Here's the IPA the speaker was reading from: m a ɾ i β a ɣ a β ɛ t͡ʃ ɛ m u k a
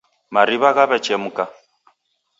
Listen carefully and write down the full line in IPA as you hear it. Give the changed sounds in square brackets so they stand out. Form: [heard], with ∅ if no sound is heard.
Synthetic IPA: m a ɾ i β a ɣ a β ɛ t͡ʃ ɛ m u k a